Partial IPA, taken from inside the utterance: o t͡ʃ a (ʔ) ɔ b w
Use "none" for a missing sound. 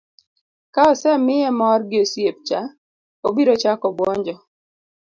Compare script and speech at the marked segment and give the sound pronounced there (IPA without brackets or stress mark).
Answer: k